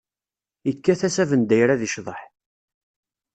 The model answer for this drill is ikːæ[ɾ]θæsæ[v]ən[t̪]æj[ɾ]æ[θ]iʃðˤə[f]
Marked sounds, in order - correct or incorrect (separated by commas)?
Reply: incorrect, correct, incorrect, correct, incorrect, incorrect